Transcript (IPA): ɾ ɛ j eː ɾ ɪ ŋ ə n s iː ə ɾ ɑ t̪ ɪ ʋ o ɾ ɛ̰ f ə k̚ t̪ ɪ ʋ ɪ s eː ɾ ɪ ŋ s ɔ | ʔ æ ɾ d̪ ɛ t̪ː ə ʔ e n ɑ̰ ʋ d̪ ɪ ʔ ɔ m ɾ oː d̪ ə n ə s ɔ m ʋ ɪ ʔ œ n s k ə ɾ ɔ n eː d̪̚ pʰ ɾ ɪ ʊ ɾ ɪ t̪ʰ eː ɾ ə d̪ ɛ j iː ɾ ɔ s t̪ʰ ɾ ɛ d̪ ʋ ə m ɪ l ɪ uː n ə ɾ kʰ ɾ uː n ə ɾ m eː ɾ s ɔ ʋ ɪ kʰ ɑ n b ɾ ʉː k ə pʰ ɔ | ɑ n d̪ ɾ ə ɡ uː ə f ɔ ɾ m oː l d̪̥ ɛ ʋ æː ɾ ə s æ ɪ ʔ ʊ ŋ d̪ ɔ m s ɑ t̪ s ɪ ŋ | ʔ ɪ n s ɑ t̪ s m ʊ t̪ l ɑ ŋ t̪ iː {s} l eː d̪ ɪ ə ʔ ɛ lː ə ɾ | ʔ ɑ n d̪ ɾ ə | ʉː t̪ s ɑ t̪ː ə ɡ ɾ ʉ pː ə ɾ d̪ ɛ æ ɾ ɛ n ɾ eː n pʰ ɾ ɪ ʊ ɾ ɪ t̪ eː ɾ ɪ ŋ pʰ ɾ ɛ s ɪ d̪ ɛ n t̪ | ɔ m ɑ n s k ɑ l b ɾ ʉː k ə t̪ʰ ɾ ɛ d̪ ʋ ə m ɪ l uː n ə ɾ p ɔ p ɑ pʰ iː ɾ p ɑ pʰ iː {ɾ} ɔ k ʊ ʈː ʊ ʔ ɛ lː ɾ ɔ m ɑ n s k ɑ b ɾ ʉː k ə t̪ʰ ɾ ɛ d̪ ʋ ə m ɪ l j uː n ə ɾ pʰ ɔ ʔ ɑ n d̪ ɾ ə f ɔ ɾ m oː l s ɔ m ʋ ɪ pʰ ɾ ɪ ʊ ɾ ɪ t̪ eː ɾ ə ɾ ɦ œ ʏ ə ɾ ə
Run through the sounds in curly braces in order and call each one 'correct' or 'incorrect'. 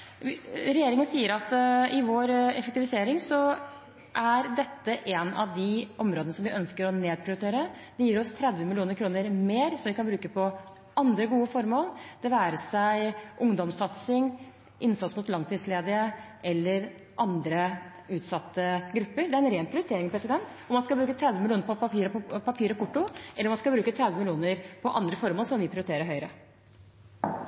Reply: correct, correct

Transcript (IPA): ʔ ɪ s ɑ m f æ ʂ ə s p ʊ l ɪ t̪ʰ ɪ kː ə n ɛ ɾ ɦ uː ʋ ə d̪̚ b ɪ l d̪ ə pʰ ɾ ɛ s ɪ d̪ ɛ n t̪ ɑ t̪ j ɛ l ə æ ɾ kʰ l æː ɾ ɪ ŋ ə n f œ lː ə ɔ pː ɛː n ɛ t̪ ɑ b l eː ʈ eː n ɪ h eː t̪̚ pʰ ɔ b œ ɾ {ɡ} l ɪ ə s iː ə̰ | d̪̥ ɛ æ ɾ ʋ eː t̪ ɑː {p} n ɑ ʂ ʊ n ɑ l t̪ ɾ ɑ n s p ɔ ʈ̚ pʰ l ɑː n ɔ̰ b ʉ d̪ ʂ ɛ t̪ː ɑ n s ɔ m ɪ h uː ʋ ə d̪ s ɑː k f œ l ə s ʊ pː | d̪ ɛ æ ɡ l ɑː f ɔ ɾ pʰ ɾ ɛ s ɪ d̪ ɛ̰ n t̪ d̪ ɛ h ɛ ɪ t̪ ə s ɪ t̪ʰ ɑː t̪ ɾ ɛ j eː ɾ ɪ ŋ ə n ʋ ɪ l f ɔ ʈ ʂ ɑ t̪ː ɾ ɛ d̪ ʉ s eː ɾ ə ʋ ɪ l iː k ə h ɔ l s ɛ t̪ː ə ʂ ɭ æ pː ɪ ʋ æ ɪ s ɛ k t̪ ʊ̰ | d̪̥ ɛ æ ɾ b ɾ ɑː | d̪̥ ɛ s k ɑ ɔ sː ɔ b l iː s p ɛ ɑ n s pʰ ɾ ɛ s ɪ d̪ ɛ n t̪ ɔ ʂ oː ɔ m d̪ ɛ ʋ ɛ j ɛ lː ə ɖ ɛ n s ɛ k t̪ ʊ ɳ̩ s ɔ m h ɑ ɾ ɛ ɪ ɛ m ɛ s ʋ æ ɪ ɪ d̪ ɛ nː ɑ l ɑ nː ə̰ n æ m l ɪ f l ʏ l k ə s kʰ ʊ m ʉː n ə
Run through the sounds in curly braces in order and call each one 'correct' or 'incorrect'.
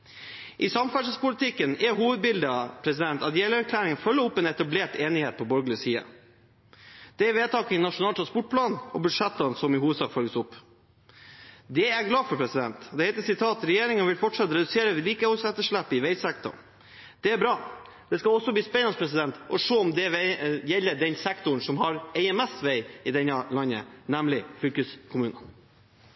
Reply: correct, incorrect: k

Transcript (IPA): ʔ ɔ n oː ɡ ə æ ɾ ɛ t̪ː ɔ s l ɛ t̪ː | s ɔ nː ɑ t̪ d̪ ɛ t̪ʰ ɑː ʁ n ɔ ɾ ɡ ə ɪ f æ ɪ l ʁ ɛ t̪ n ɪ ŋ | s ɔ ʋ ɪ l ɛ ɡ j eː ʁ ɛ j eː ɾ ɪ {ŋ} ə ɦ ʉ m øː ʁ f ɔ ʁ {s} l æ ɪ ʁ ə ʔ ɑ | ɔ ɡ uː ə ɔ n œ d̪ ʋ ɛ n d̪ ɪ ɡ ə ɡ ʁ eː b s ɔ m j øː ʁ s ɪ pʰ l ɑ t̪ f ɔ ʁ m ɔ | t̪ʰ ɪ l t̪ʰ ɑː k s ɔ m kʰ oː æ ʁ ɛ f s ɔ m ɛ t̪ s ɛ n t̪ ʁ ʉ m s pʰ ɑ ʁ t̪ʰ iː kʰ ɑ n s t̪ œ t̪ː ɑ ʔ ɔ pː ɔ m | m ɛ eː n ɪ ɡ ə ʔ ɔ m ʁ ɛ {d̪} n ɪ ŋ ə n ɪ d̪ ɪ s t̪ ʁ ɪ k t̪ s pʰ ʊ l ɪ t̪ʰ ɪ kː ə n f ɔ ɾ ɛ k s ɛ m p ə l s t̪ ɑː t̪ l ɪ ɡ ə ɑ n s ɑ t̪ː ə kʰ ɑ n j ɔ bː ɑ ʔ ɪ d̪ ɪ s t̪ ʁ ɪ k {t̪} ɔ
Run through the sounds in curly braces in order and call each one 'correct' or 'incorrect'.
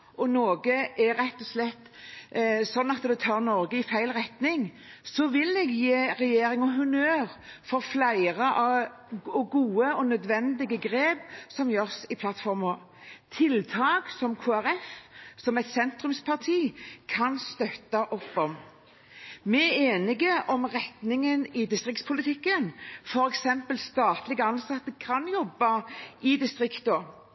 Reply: correct, incorrect: f, incorrect: t̪, correct

